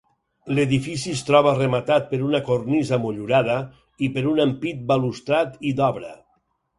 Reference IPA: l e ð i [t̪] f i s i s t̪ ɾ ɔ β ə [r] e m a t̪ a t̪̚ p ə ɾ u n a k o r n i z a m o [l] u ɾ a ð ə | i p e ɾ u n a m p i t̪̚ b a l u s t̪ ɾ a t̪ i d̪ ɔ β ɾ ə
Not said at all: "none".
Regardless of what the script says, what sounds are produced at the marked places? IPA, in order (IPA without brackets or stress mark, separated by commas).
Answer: none, r, ʎ